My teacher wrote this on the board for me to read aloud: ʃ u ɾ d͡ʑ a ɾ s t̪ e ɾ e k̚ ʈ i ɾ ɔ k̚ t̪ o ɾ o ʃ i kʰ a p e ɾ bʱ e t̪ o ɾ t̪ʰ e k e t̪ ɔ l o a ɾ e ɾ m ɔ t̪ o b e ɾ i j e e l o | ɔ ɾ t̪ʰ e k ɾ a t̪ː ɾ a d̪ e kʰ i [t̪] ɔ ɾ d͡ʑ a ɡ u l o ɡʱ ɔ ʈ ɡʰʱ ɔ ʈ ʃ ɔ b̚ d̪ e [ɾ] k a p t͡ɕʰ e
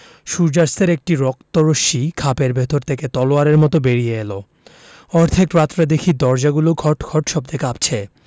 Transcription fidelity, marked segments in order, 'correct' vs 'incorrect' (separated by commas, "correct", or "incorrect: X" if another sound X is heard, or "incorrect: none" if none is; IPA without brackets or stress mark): incorrect: d̪, incorrect: none